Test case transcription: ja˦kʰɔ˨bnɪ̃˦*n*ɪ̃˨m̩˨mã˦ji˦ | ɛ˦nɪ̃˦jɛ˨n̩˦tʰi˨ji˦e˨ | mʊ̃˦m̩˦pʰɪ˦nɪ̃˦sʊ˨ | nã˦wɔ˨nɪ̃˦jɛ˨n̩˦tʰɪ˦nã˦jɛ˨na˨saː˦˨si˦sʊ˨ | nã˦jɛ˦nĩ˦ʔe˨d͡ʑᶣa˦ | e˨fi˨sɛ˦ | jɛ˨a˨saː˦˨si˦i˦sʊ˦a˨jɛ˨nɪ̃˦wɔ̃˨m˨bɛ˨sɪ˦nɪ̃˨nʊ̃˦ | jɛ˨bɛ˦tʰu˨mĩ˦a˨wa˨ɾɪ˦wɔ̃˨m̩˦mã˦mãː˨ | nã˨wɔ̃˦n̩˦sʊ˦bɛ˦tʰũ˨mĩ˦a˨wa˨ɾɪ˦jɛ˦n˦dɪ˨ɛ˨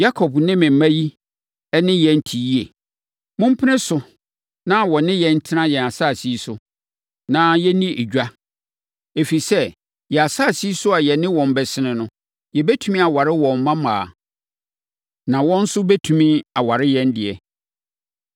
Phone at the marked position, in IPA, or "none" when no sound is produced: m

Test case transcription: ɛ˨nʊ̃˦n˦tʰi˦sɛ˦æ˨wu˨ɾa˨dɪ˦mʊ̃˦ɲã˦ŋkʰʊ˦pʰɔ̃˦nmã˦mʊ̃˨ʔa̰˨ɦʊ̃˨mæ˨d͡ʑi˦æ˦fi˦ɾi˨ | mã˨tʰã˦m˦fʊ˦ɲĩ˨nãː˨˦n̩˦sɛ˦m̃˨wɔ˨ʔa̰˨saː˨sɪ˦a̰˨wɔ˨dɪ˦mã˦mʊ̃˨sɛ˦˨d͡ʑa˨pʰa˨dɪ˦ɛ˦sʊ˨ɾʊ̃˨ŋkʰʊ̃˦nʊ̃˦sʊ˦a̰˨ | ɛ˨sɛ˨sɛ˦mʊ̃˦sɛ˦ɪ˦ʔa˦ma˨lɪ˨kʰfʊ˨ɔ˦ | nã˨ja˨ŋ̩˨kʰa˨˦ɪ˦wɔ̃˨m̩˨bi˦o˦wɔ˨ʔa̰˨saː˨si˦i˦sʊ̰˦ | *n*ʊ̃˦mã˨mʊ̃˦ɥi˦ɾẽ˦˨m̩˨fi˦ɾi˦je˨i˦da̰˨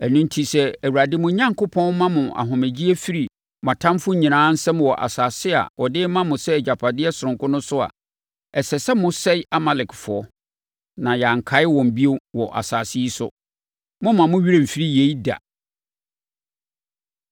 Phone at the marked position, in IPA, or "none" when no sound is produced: m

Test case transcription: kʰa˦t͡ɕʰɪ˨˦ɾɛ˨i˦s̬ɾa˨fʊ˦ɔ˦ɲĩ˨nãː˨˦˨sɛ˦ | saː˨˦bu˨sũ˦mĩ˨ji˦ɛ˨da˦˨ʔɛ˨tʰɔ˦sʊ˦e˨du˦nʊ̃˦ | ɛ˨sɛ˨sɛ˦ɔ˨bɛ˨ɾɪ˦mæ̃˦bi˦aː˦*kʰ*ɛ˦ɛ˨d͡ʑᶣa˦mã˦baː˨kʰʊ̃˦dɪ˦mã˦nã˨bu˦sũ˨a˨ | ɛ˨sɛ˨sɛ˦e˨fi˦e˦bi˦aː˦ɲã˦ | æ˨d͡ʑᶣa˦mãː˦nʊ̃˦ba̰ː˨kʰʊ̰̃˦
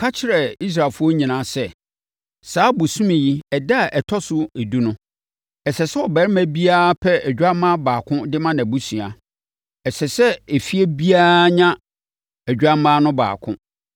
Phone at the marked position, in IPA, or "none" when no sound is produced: pʰ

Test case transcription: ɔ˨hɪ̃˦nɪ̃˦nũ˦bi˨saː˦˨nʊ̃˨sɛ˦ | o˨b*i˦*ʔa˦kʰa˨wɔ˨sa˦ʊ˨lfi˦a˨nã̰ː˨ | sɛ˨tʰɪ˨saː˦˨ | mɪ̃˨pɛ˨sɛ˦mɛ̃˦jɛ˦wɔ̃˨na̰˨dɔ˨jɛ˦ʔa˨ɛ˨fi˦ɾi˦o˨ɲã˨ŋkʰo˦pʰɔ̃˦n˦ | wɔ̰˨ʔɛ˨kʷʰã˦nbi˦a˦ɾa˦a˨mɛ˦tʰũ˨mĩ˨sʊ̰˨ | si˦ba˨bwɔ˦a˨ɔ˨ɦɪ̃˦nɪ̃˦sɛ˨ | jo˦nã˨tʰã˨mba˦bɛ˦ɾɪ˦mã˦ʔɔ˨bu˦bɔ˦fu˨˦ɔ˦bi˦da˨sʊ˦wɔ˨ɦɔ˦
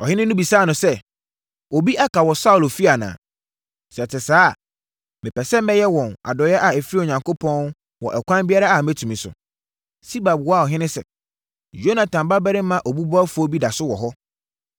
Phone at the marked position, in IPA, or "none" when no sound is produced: i˦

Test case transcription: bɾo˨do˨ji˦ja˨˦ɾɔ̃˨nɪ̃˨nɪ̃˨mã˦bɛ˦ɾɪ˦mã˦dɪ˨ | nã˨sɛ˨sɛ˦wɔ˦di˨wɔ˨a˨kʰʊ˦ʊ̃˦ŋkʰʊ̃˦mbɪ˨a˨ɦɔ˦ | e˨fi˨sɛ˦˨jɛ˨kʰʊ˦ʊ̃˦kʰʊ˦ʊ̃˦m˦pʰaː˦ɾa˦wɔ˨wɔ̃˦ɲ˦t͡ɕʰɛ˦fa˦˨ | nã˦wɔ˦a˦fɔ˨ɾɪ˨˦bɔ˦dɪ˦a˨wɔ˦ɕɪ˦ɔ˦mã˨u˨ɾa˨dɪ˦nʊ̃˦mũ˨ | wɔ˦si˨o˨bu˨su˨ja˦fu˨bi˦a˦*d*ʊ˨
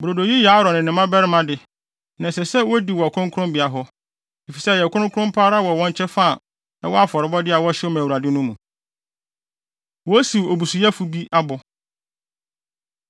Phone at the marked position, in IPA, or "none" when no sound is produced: b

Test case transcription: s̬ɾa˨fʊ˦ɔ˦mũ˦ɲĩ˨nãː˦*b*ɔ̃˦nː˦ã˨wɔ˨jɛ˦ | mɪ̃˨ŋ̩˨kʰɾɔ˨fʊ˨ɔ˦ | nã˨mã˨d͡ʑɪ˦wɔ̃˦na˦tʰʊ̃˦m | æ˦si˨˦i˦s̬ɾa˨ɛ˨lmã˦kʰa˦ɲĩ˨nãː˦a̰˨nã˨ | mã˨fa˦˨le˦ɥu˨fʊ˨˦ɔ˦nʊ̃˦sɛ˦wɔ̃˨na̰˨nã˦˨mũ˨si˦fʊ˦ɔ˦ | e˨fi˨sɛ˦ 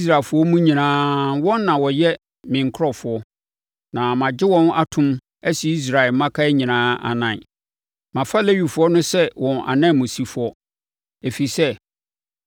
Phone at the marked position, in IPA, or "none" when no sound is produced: w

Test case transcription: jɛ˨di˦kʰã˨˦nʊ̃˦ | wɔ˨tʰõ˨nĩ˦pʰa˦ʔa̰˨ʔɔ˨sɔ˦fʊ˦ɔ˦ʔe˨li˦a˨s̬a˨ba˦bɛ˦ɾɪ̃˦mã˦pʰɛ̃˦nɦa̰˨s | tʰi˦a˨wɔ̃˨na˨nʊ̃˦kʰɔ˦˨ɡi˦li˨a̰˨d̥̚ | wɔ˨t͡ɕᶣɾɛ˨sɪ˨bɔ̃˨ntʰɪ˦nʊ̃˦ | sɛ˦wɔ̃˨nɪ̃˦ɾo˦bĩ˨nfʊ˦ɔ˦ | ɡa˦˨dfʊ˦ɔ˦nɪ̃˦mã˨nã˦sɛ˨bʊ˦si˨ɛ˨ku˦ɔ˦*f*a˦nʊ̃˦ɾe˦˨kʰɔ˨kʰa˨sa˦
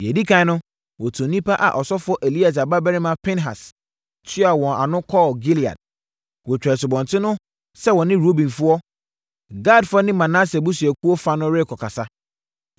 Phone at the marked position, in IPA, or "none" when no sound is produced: f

